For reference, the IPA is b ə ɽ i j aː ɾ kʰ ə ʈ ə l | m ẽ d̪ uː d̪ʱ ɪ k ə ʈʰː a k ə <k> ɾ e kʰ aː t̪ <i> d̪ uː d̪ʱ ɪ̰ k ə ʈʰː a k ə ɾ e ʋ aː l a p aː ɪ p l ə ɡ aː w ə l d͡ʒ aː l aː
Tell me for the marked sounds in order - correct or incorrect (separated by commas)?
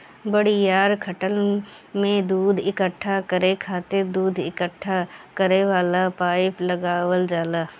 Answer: incorrect, incorrect